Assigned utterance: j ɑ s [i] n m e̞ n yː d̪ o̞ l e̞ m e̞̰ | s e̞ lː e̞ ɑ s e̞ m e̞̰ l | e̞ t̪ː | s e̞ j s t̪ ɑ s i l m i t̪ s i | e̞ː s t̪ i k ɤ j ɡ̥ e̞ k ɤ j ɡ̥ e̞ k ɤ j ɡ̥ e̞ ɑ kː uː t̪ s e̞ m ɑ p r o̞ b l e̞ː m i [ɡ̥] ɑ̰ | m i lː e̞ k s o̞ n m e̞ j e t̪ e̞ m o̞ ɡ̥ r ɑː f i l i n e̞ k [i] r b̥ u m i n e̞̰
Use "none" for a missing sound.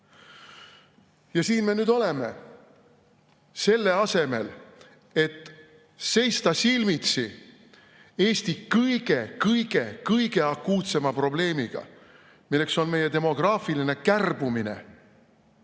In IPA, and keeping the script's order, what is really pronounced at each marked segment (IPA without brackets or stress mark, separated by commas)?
iː, ɡ̥, æ